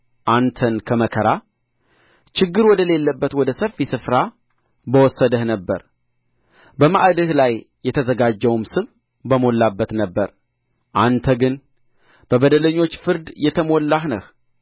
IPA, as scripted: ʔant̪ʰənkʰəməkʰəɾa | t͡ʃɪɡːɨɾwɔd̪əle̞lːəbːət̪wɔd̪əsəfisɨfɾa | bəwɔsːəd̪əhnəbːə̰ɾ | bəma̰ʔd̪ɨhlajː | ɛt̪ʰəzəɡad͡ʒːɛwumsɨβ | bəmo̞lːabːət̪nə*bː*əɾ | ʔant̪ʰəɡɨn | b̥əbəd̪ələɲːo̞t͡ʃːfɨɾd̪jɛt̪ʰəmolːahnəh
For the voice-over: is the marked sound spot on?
yes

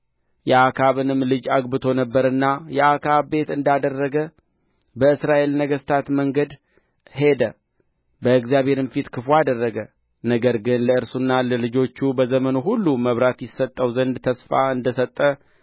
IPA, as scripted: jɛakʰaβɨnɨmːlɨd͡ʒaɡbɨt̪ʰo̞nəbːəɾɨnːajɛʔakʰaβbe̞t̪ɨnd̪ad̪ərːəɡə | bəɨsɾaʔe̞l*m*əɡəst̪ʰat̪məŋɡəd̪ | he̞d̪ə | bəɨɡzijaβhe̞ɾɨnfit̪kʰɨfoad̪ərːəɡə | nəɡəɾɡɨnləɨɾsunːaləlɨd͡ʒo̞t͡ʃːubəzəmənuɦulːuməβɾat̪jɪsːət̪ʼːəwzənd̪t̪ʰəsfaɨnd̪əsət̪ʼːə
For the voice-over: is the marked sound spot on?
no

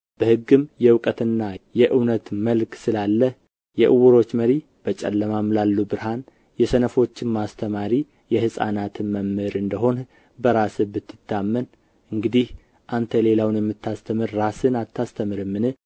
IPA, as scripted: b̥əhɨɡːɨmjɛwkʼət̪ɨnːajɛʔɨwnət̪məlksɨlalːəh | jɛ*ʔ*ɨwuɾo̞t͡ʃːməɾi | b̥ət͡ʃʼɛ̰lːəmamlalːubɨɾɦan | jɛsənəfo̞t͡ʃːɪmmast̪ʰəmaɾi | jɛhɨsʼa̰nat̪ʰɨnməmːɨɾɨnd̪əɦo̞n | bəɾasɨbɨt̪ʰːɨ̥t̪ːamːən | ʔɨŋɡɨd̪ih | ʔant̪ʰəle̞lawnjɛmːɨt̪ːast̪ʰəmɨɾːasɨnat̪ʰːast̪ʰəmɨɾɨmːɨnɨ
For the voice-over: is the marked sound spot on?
yes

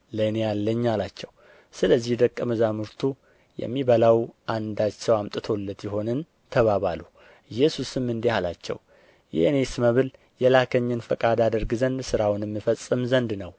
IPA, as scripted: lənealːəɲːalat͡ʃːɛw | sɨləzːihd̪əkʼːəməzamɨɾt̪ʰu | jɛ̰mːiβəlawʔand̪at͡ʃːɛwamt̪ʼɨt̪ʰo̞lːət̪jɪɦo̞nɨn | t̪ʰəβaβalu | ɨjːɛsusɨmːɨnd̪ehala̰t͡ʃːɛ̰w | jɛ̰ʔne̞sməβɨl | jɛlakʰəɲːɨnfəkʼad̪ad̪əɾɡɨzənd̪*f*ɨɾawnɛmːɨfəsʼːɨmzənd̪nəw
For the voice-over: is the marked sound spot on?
no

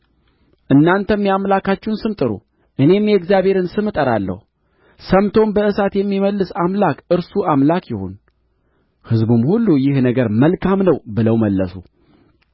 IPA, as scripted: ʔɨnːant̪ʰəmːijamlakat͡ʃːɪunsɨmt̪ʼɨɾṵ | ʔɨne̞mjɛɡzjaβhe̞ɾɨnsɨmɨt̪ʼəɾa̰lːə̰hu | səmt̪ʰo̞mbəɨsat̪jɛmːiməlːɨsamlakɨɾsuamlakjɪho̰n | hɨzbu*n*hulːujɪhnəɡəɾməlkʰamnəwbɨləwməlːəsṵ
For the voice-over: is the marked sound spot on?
no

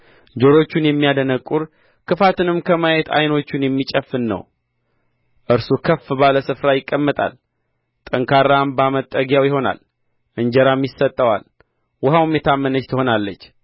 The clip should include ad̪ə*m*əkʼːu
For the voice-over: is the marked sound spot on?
no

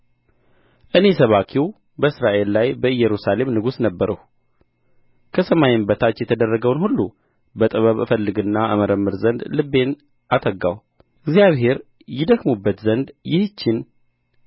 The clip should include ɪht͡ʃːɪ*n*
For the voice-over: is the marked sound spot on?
yes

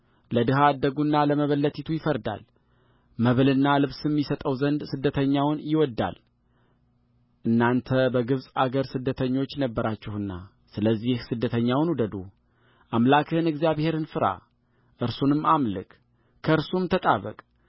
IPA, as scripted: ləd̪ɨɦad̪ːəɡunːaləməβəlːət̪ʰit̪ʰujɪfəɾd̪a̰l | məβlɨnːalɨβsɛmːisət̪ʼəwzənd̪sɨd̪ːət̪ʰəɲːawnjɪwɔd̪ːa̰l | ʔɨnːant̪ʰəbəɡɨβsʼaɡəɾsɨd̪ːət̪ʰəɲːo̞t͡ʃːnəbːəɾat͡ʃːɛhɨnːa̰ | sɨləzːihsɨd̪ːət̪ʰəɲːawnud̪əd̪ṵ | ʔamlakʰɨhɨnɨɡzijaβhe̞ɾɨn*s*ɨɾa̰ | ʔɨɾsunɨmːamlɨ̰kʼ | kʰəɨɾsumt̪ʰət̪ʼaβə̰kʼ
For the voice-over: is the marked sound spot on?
no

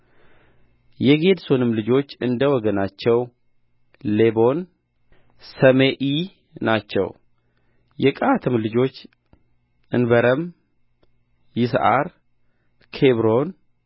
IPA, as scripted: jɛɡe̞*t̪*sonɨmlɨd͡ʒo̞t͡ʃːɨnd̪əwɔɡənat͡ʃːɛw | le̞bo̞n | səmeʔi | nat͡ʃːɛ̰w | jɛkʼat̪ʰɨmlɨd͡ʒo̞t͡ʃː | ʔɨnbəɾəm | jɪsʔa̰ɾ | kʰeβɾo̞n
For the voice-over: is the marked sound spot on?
no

